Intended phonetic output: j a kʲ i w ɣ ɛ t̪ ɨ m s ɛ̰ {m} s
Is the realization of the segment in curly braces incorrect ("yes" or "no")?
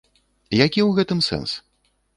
yes